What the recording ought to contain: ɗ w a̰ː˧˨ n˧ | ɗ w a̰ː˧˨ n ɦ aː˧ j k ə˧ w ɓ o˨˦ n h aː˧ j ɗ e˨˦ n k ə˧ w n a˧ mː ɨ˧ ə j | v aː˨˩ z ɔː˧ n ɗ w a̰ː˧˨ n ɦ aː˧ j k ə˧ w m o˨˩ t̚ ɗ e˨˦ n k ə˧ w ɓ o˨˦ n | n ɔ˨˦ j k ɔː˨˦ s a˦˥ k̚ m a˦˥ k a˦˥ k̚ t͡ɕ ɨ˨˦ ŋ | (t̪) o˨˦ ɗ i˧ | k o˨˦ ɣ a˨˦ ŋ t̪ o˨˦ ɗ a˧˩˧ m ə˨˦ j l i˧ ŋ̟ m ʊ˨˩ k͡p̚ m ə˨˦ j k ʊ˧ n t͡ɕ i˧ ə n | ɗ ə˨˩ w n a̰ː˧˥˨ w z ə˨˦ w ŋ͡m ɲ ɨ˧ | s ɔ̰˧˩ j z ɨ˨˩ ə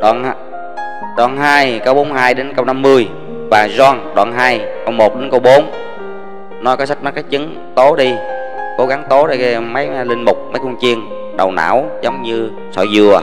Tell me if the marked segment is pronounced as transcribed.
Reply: yes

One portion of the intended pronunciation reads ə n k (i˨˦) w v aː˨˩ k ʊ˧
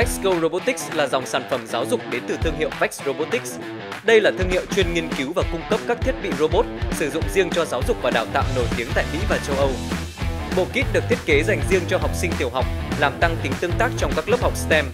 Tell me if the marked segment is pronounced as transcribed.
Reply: yes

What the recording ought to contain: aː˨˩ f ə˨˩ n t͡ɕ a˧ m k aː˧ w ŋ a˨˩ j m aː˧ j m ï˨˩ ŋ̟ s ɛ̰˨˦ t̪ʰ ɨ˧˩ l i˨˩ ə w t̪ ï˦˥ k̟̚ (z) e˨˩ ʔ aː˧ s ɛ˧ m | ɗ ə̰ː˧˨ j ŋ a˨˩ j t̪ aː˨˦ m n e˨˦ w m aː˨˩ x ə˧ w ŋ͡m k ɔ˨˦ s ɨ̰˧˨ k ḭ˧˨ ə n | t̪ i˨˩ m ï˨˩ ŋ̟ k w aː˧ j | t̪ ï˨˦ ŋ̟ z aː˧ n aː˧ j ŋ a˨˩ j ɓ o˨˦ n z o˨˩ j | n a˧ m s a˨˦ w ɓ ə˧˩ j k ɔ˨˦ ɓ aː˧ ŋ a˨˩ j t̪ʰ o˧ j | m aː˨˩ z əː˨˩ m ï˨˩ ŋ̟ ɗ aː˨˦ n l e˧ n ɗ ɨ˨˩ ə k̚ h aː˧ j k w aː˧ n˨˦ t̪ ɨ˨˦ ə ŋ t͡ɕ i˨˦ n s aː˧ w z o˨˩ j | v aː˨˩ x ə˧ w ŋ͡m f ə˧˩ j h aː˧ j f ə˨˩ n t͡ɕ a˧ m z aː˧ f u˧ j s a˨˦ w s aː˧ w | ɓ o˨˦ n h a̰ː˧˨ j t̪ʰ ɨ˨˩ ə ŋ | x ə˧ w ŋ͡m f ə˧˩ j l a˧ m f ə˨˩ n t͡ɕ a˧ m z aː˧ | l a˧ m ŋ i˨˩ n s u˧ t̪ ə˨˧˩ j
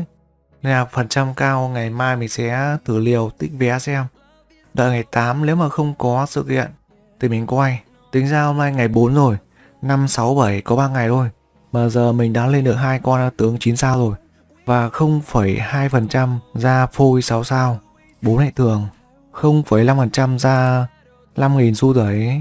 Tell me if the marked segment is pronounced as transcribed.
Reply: no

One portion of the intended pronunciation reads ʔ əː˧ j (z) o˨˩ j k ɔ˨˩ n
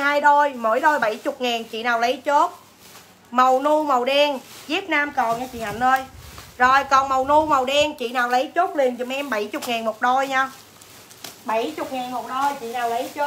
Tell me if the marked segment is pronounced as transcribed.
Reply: yes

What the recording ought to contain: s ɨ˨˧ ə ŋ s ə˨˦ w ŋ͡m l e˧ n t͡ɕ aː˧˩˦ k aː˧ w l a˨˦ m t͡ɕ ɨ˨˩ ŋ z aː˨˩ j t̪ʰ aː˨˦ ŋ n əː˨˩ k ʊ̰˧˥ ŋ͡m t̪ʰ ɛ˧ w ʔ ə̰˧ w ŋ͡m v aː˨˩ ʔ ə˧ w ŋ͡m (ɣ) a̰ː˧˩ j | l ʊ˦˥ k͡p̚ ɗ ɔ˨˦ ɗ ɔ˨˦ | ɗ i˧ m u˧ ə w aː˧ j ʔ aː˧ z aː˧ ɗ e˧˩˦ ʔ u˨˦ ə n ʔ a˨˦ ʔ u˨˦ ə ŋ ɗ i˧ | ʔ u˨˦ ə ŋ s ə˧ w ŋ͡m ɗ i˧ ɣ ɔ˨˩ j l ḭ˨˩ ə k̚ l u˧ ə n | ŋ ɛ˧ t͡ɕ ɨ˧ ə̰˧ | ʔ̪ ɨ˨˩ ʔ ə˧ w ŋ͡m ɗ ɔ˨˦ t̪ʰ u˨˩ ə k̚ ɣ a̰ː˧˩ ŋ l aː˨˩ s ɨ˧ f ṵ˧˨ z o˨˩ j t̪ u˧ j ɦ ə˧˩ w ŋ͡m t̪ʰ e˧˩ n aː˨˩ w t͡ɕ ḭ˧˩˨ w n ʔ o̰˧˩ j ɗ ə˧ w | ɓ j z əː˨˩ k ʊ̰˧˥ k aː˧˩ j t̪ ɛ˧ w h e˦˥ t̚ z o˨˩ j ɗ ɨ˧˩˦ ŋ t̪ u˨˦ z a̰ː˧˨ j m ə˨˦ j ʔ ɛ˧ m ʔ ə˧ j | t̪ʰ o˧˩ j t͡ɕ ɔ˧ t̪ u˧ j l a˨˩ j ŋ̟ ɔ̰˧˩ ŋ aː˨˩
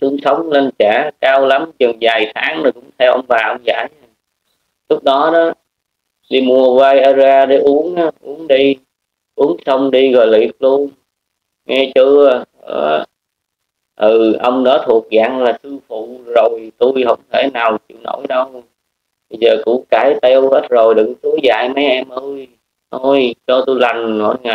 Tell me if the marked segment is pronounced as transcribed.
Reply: no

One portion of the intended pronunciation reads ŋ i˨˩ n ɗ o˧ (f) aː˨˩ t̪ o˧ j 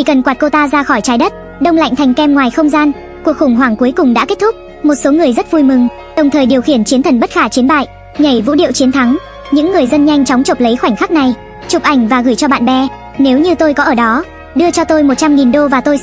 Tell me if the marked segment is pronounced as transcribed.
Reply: no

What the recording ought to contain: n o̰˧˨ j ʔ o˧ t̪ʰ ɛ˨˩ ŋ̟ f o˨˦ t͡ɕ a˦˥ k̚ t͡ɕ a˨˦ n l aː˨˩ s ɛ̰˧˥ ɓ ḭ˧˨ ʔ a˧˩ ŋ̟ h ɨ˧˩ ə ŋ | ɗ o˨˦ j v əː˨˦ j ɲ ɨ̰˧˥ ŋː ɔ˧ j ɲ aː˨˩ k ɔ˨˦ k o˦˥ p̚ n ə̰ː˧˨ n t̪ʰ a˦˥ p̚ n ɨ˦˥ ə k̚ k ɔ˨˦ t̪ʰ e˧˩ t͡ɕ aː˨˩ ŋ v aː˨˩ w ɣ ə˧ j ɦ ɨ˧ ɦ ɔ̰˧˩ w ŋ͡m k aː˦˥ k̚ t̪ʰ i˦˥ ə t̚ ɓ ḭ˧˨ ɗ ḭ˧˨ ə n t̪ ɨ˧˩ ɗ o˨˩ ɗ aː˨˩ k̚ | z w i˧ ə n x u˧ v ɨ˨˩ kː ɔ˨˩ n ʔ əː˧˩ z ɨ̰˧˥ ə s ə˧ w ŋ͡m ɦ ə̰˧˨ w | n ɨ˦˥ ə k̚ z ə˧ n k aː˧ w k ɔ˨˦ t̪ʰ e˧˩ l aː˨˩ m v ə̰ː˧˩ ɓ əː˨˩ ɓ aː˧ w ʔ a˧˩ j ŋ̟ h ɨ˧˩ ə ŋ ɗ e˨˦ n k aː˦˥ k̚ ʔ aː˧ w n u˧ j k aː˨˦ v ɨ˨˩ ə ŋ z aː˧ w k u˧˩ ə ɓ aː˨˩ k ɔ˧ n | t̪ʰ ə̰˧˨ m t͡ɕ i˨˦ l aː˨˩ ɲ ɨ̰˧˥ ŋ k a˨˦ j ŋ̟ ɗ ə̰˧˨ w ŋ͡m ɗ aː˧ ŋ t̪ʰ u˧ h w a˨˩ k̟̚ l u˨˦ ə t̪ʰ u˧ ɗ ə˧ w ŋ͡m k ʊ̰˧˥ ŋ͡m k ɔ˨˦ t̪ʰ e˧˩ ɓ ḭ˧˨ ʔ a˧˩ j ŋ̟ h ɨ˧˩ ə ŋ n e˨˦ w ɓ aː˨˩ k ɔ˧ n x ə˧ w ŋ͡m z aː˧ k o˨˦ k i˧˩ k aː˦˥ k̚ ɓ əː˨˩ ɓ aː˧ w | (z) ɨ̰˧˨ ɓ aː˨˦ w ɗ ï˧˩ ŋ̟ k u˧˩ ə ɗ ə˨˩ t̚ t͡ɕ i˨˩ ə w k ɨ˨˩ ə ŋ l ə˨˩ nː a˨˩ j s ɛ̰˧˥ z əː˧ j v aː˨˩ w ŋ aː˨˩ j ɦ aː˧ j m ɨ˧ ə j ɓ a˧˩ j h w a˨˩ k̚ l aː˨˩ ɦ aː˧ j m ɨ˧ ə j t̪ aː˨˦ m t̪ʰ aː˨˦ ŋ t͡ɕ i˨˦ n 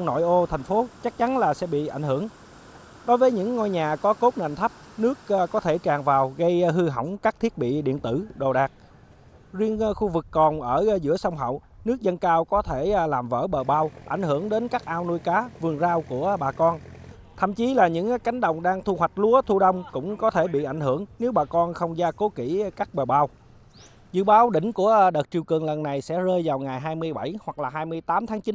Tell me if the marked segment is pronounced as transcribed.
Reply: yes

